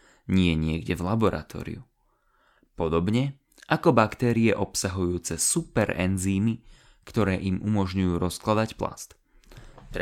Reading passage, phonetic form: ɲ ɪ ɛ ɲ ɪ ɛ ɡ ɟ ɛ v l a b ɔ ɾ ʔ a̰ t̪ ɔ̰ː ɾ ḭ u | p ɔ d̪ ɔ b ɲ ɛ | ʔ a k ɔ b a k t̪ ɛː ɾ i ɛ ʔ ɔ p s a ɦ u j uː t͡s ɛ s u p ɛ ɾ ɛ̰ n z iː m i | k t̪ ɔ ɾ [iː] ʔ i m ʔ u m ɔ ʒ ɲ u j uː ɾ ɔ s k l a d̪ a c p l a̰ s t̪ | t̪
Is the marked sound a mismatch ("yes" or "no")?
yes